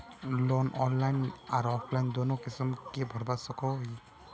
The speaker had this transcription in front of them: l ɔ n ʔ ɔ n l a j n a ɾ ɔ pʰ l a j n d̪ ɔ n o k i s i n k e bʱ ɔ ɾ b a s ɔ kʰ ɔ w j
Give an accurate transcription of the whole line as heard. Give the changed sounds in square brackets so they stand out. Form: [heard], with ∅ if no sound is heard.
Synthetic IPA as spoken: l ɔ n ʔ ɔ n l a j n a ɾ ɔ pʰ l a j n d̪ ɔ n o k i s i [m] k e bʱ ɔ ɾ b a s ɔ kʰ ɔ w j